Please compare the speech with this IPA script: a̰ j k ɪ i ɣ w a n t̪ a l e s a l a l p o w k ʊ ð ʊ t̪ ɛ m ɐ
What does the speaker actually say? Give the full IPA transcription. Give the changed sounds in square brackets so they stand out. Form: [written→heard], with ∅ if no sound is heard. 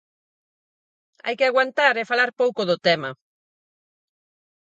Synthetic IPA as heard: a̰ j k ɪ [i→a] ɣ w a n t̪ a [l→ɾ] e [s→f] a l a [l→ɾ] p o w k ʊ ð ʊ t̪ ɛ m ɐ